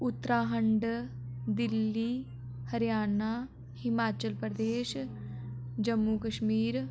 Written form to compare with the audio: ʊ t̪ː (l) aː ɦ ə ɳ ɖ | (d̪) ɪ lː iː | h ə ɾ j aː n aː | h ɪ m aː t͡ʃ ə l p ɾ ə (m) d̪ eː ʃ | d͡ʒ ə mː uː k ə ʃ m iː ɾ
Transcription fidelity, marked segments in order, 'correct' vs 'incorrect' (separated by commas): incorrect, correct, incorrect